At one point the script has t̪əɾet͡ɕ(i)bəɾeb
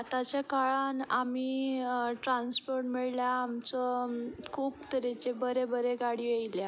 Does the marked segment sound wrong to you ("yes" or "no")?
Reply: yes